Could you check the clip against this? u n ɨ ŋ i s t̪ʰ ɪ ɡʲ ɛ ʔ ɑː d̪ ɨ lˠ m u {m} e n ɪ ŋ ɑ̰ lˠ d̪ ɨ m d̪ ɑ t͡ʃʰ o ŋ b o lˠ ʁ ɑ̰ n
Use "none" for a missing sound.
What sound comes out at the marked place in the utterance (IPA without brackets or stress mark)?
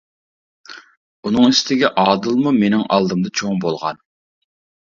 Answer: m